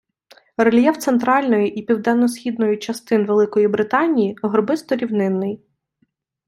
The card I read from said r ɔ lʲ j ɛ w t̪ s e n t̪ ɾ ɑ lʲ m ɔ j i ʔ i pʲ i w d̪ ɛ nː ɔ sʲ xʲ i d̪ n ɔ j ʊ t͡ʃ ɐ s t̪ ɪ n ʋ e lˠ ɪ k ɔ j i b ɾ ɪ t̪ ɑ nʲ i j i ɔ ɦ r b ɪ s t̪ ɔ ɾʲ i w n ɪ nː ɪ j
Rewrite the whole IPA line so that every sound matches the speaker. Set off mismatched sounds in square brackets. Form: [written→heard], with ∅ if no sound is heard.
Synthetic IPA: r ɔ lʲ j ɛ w t̪ s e n t̪ ɾ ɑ lʲ [m→n] ɔ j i ʔ i pʲ i w d̪ ɛ nː ɔ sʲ xʲ i d̪ n ɔ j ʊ t͡ʃ ɐ s t̪ ɪ n ʋ e lˠ ɪ k ɔ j i b ɾ ɪ t̪ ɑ nʲ i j i ɔ ɦ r b ɪ s t̪ ɔ ɾʲ i w n ɪ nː ɪ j